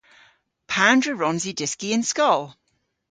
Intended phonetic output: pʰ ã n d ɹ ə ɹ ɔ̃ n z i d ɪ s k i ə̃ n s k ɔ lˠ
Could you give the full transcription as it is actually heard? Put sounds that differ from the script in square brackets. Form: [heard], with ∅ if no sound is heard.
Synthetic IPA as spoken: pʰ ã n d ɹ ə ɹ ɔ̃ n z i d ɪ s k i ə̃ n s k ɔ lˠ